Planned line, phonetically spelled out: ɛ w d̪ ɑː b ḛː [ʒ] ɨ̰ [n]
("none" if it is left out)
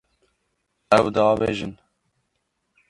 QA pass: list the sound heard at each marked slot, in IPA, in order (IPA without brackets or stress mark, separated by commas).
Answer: ʒ, n